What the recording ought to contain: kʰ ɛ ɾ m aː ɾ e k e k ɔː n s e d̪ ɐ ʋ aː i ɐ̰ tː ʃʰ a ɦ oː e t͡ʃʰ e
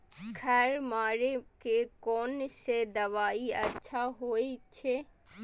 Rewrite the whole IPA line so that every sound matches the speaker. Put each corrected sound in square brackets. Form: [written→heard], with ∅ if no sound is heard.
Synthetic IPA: kʰ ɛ ɾ m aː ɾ e k e k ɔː n s e d̪ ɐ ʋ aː i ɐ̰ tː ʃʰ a ɦ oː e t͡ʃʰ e